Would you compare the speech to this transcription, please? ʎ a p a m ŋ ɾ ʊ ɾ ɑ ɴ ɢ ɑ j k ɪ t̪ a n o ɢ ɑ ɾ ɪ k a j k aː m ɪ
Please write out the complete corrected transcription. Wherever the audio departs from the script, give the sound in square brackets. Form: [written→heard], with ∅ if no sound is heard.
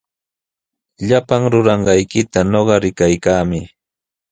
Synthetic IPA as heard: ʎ a p a [m→∅] ŋ ɾ ʊ ɾ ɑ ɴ ɢ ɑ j k ɪ t̪ a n o ɢ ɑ ɾ ɪ k a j k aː m ɪ

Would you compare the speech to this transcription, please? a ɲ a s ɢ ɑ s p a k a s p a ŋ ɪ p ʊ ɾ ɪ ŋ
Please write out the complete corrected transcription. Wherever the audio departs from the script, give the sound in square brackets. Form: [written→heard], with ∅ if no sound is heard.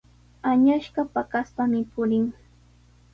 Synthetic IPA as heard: a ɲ a [s→ʃ] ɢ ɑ [s→∅] p a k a s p a [ŋ→m] ɪ p ʊ ɾ ɪ ŋ

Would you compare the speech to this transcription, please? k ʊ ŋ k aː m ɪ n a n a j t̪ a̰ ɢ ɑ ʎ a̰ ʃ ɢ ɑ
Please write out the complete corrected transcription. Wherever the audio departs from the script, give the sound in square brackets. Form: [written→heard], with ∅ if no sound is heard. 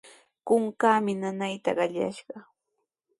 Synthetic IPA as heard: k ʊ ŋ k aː m ɪ n a n a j t̪ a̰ ɢ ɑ ʎ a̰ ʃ ɢ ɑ

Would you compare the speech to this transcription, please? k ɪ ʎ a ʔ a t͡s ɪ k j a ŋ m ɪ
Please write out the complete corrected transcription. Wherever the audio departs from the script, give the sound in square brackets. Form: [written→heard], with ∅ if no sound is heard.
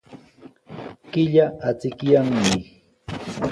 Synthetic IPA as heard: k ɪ ʎ a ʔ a t͡s ɪ k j a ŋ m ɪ

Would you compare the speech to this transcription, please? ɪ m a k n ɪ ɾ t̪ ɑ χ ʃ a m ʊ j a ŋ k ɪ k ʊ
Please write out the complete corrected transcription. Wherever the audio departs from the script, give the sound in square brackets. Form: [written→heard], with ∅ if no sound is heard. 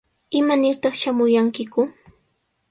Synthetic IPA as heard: ɪ m a [k→∅] n ɪ ɾ t̪ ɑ χ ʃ a m ʊ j a ŋ k ɪ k ʊ

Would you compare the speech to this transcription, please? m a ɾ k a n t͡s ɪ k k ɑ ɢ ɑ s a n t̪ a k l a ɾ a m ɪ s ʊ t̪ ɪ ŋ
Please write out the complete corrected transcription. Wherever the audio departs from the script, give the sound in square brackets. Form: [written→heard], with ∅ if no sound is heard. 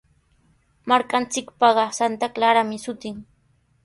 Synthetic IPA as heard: m a ɾ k a n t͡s ɪ k [k→p] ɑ ɢ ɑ s a n t̪ a k l a ɾ a m ɪ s ʊ t̪ ɪ ŋ

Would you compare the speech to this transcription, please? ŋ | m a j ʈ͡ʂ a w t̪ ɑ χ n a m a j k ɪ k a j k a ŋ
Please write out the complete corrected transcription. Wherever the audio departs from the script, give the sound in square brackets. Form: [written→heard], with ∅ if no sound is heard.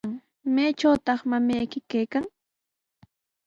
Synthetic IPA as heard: ŋ | m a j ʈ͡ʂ a w t̪ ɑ χ [n→m] a m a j k ɪ k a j k a ŋ

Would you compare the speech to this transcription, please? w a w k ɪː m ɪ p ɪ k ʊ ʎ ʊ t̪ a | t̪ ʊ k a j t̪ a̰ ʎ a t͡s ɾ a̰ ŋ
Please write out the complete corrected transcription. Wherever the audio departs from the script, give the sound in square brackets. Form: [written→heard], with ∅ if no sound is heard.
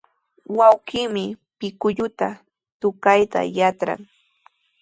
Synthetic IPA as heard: w a w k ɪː m ɪ p ɪ k ʊ ʎ ʊ t̪ a | t̪ ʊ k a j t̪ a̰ [ʎ→j] a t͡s ɾ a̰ ŋ

